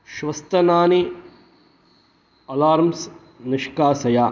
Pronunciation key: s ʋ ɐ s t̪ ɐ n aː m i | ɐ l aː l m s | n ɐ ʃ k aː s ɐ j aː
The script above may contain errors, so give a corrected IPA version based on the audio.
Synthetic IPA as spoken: ʃ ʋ ɐ s t̪ ɐ n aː n i | ɐ l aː ɾ m s | n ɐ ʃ k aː s ɐ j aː